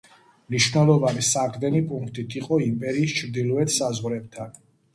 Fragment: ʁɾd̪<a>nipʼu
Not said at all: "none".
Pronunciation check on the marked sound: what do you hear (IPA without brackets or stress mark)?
ɛ